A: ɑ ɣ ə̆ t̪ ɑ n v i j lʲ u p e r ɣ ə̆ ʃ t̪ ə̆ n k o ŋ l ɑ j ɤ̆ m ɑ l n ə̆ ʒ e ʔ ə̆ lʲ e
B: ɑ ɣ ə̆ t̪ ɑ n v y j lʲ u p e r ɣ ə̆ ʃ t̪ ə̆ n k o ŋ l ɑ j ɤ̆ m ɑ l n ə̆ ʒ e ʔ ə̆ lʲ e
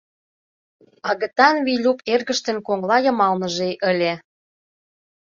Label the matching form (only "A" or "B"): A